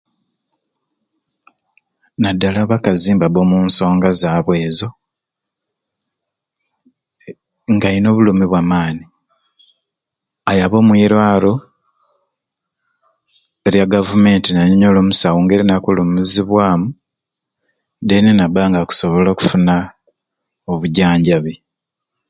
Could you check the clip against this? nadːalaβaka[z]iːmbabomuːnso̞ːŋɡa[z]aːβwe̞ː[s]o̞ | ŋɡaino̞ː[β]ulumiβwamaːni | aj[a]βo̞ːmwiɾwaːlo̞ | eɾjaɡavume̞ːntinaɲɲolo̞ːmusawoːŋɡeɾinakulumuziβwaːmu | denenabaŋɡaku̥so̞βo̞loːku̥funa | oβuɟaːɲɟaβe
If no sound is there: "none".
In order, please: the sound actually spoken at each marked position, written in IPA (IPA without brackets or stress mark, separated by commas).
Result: z, z, z, β, a